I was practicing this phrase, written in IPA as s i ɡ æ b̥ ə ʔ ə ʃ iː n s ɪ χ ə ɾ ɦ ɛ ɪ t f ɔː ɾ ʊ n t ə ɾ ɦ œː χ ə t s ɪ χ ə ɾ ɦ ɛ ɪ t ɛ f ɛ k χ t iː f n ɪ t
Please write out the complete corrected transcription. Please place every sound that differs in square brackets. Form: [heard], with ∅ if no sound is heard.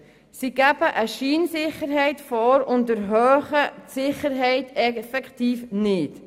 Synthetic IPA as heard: s i ɡ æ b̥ ə ʔ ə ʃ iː n s ɪ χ ə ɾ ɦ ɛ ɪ t f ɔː ɾ ʊ n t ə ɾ ɦ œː χ ə t s ɪ χ ə ɾ ɦ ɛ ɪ t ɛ f ɛ k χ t iː f n ɪ t